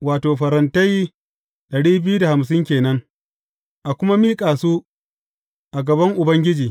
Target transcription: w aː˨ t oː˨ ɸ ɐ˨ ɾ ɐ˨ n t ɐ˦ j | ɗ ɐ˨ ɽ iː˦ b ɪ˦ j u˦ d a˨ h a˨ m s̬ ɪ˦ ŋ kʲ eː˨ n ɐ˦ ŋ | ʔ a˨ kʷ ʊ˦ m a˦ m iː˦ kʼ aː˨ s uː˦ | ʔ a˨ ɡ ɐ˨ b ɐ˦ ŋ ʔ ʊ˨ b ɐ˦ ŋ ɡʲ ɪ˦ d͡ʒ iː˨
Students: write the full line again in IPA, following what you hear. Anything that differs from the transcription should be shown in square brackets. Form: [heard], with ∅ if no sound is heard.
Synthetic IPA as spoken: w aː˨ t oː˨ ɸ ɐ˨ ɾ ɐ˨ n t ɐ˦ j | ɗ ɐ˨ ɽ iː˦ b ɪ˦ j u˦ d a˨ h a˨ m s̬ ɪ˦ ŋ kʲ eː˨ n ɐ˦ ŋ | ʔ a˨ kʷ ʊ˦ m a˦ m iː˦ kʼ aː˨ s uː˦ | ʔ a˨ ɡ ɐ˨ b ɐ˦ ŋ ʔ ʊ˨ b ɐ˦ ŋ ɡʲ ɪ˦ d͡ʒ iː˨